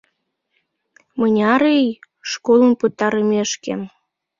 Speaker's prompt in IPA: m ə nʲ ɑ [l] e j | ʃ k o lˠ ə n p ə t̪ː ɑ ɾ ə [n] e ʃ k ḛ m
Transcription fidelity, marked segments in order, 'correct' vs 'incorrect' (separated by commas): incorrect, incorrect